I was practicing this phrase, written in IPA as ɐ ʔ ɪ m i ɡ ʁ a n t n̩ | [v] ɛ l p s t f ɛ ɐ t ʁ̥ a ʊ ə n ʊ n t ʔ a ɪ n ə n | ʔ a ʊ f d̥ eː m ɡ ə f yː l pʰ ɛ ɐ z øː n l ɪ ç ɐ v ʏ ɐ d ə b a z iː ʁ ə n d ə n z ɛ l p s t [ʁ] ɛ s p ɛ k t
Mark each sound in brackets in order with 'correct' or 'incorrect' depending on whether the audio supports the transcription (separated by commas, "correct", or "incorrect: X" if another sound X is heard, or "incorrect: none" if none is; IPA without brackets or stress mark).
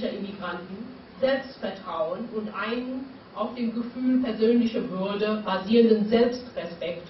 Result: incorrect: z, correct